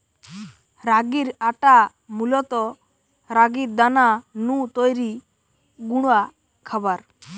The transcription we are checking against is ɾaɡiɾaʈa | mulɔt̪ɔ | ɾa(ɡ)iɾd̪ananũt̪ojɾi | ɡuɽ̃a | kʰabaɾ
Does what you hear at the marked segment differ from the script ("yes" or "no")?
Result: no